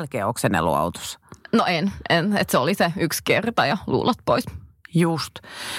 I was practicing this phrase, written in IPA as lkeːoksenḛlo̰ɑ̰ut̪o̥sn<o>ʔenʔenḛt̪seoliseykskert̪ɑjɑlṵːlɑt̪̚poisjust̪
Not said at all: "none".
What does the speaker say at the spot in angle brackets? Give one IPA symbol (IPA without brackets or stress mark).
o